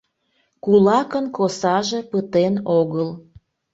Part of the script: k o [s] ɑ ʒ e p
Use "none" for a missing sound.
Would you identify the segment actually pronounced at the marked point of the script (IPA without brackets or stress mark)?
s